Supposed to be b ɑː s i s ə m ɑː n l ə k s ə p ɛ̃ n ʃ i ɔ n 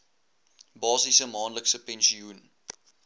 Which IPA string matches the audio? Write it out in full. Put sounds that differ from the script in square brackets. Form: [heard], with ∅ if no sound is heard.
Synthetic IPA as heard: b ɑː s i s ə m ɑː n l ə k s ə p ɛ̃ n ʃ i [u] n